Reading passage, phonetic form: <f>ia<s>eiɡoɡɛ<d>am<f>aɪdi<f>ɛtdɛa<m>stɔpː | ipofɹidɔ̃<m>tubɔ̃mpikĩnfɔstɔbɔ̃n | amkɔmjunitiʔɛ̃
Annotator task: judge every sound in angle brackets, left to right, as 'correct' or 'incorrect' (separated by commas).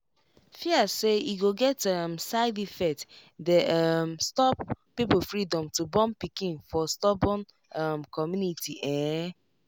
correct, correct, incorrect, incorrect, correct, correct, correct